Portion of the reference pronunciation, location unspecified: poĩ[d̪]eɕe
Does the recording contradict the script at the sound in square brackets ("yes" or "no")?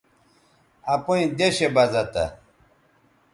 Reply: no